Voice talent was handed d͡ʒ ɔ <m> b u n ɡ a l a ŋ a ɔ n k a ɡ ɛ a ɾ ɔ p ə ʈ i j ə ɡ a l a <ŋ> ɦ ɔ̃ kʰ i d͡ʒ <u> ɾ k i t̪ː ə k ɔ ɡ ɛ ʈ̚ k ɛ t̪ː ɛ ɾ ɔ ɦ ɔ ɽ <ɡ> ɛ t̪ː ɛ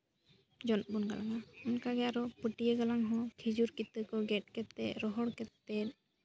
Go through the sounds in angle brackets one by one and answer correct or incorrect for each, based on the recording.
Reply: incorrect: n, correct, correct, incorrect: k

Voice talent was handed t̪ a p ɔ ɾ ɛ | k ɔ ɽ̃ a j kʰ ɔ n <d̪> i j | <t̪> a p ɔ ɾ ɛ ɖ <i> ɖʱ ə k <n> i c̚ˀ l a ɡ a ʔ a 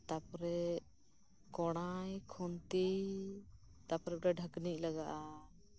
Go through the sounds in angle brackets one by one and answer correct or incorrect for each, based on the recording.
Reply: incorrect: t̪, correct, incorrect: a, correct

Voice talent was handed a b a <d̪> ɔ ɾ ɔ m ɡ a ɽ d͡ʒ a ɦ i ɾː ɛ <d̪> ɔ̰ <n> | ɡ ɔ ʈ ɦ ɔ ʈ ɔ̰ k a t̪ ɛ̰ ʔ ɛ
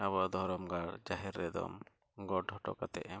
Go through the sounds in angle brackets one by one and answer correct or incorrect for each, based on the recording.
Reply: correct, correct, incorrect: m

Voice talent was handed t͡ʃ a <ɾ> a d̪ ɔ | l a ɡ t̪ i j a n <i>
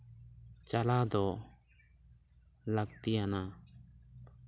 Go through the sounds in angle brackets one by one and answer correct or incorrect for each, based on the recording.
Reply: incorrect: l, incorrect: a

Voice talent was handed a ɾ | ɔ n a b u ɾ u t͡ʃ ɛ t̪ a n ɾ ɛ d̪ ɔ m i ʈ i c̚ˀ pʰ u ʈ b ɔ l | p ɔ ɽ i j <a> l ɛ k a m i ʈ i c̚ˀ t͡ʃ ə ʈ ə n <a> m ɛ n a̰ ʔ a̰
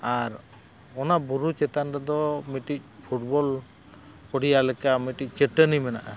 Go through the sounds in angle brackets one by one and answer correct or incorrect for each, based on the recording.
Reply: correct, incorrect: i

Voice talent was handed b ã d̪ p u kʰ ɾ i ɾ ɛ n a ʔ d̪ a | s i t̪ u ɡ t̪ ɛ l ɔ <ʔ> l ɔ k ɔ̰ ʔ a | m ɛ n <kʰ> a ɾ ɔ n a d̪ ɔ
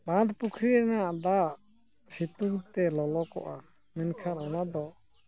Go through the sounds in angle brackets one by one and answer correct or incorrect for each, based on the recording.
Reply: incorrect: none, correct

